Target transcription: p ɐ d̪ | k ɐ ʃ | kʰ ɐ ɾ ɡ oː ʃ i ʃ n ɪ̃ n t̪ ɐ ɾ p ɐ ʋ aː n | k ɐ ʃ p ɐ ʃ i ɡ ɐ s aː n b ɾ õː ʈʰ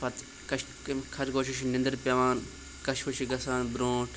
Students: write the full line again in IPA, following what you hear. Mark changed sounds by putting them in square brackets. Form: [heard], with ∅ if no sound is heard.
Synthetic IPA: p ɐ [t̪] | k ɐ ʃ | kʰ ɐ ɾ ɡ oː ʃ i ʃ n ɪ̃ n [d̪] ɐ ɾ p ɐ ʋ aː n | k ɐ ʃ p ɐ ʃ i ɡ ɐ s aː n b ɾ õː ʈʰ